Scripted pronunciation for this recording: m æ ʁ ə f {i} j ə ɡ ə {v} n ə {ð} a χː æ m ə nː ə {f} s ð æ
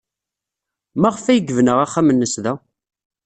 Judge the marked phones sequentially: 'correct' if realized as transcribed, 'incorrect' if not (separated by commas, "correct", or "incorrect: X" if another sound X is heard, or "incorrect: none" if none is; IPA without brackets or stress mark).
incorrect: æ, correct, incorrect: ʁ, incorrect: none